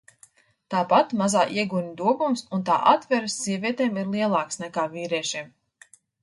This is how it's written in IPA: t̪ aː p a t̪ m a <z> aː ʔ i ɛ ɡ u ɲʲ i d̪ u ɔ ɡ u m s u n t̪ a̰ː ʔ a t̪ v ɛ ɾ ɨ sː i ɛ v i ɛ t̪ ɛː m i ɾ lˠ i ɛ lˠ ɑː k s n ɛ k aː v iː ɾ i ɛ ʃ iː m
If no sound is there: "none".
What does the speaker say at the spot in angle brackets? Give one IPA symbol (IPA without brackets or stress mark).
z